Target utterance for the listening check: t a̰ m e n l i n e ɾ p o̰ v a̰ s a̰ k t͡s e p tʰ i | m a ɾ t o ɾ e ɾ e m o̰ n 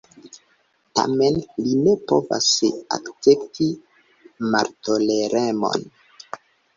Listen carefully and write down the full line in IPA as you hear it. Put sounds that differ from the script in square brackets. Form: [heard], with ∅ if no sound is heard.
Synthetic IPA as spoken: t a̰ m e n l i n e [∅] p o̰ v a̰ s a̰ k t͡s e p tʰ i | m a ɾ t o [l] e ɾ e m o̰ n